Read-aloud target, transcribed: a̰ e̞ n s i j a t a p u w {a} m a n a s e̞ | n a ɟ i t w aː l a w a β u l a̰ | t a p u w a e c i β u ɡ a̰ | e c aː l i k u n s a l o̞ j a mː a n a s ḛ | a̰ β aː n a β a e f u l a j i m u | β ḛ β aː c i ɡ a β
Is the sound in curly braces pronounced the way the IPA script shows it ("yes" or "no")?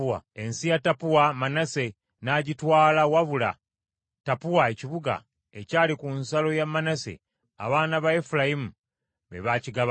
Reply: yes